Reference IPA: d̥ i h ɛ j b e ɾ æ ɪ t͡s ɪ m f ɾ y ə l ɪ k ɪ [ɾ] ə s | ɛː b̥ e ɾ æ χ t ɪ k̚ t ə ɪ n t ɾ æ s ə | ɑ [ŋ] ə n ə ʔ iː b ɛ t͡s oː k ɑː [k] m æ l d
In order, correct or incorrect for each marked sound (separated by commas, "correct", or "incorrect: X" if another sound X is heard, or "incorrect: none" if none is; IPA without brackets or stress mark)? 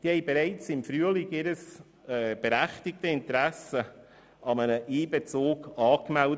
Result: correct, incorrect: m, correct